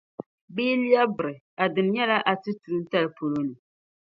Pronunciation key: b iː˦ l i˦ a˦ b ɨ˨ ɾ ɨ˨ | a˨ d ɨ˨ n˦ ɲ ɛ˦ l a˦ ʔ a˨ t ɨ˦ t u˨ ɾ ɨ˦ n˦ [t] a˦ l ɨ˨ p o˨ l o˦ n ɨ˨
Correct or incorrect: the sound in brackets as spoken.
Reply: correct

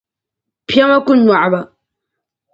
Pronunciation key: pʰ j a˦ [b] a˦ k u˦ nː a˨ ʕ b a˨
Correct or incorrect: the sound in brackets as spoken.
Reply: incorrect: m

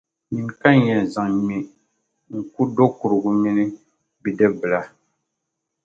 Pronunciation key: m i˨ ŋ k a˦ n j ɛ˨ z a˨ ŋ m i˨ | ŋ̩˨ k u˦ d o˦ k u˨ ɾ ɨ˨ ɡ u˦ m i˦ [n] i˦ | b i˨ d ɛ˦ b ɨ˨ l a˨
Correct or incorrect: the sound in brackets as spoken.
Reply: correct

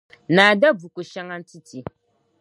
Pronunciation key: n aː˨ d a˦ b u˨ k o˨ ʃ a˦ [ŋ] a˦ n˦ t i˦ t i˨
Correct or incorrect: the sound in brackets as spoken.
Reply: correct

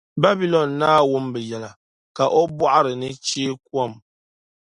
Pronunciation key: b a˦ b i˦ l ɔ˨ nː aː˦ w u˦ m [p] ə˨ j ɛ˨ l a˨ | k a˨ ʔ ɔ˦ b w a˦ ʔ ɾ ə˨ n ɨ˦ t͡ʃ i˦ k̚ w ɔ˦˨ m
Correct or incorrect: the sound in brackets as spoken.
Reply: incorrect: b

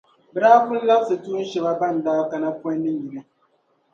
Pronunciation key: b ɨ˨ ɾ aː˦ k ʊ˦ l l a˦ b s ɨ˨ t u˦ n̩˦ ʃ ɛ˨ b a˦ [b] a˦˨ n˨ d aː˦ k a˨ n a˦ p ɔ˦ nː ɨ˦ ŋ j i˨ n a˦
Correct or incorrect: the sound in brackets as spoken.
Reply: correct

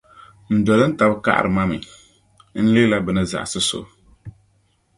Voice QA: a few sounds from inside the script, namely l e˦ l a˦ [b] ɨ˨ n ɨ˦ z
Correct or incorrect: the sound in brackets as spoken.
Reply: correct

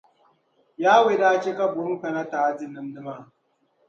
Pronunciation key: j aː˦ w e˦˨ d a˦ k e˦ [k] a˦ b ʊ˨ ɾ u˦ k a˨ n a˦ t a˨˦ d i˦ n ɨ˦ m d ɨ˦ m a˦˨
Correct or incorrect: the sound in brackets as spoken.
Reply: correct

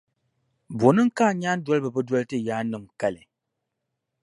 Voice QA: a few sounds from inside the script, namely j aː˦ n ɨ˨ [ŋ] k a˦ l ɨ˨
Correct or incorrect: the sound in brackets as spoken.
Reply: incorrect: m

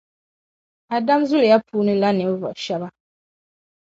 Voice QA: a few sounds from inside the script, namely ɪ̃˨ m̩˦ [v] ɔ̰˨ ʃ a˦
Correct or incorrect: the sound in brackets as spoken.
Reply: correct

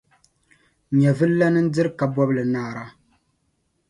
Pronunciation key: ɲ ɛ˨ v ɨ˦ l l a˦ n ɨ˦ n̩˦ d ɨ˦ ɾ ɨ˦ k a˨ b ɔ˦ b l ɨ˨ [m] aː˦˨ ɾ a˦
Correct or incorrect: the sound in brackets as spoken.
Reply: incorrect: n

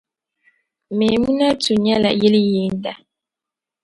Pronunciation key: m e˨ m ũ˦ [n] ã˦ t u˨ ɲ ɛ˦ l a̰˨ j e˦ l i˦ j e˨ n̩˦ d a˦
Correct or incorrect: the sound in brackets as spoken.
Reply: correct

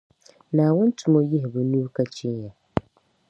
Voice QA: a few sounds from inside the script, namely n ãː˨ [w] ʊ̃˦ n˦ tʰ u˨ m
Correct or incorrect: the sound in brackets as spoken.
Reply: correct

